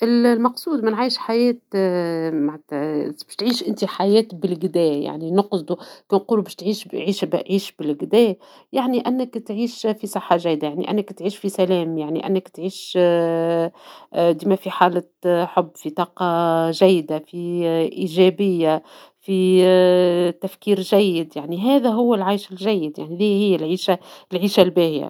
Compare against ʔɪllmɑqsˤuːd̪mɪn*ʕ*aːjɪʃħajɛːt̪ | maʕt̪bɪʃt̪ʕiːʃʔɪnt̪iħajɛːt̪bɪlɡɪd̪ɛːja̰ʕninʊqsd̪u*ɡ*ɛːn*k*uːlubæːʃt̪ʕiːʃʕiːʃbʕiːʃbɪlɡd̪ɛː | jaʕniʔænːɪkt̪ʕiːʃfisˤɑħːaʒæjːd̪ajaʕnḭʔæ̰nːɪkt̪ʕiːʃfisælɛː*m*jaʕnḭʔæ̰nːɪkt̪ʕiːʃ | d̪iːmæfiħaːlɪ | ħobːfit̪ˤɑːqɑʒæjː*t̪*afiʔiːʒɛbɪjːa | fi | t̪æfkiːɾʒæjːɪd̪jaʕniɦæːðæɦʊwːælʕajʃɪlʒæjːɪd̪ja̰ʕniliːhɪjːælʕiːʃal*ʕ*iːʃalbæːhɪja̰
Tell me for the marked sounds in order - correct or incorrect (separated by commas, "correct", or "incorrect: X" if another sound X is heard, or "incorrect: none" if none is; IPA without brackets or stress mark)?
correct, incorrect: k, incorrect: q, correct, incorrect: d̪, correct